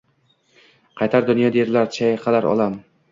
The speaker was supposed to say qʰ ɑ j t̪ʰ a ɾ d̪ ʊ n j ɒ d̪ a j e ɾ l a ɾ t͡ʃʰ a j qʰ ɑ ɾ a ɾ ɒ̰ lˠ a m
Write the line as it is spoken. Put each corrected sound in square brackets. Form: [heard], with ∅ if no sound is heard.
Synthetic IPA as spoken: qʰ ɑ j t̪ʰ a ɾ d̪ ʊ n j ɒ d̪ a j e ɾ l a ɾ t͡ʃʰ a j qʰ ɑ [l] a ɾ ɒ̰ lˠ a m